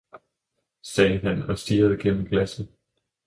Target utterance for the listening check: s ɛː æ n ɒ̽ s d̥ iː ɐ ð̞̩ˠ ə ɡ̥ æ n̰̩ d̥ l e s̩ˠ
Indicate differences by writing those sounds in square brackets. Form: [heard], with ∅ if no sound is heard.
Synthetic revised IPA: s ɛː æ n ɒ̽ s d̥ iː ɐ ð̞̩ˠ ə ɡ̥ [e] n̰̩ [ɡ̥] l [æ] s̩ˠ